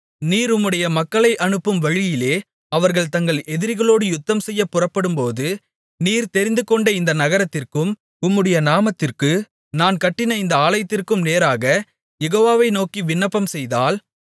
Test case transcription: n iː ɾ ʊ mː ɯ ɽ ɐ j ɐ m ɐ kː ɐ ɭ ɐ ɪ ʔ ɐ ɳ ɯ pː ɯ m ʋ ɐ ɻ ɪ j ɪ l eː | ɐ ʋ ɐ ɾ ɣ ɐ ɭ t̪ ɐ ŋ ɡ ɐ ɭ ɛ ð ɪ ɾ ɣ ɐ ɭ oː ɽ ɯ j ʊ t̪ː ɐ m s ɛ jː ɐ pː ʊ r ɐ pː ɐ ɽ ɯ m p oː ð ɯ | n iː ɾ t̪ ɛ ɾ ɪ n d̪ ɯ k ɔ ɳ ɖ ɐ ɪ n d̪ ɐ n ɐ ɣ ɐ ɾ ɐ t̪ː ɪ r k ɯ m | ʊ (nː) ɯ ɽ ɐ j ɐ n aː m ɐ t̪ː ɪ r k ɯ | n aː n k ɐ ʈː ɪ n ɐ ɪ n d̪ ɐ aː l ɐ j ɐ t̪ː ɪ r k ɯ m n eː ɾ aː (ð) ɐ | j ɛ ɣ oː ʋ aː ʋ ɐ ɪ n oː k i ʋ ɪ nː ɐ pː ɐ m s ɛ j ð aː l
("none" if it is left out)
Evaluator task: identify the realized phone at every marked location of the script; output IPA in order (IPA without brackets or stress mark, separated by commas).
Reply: mː, ɣ